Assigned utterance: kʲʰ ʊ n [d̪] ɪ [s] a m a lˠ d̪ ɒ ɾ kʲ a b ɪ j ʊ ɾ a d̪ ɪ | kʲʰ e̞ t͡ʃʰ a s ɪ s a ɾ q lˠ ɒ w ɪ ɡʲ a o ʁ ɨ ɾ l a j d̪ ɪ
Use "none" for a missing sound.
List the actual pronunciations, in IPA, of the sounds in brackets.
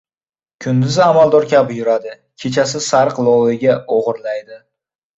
d̪, z

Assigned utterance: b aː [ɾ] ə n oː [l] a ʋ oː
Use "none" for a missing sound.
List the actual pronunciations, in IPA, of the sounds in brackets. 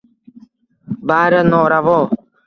ɾ, ɾ

